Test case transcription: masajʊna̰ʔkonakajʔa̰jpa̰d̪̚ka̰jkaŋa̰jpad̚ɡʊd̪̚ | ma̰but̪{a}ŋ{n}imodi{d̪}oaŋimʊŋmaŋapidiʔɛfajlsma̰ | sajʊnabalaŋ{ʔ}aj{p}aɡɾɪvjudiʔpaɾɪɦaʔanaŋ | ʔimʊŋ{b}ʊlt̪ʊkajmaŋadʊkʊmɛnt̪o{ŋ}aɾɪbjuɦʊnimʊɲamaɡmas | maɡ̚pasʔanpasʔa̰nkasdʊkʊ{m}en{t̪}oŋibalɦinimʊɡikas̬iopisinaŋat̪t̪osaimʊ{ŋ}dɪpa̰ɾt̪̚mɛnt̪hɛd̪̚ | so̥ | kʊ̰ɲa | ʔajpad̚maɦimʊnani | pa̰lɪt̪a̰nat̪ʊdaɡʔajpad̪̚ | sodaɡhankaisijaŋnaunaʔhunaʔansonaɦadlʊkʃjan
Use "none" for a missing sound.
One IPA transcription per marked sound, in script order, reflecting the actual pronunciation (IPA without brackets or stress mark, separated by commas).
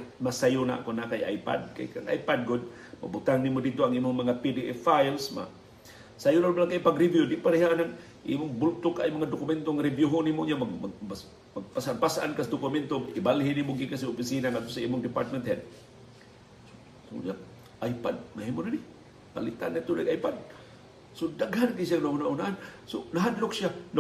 a, n, t̪, k, p, b, ŋ, m, t̪, ŋ